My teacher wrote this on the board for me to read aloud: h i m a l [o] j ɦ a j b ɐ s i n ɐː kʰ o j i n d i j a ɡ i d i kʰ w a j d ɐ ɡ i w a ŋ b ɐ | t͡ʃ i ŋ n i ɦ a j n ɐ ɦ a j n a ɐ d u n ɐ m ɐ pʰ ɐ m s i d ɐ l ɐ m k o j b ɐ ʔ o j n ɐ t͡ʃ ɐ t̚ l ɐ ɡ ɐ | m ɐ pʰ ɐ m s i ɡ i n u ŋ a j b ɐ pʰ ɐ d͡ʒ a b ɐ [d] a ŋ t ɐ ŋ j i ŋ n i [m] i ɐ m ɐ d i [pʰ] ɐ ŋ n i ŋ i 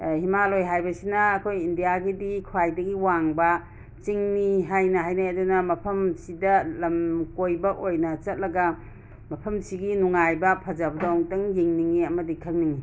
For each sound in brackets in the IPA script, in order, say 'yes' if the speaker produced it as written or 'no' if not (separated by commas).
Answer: yes, yes, no, no